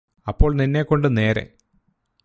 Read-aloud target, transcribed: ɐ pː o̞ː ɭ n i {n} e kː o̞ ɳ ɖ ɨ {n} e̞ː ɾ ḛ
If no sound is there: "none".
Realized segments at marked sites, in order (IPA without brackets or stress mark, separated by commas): nː, n